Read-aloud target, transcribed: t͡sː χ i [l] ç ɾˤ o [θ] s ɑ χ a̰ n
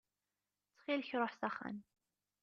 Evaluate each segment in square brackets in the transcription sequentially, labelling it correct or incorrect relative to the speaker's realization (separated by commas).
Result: correct, incorrect